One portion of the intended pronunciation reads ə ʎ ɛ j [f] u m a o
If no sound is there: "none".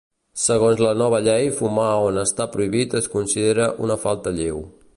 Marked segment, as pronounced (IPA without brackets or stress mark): f